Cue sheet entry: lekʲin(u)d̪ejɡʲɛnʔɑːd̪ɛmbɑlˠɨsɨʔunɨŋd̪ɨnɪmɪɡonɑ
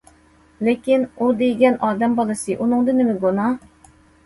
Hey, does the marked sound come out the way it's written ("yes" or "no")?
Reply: yes